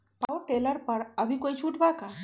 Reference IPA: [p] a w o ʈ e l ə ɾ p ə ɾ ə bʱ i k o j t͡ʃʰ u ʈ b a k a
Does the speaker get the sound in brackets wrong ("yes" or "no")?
no